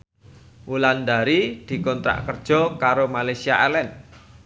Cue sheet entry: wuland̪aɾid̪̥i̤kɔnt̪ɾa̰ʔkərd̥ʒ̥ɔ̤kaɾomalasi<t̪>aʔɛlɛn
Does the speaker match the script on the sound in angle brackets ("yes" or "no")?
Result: no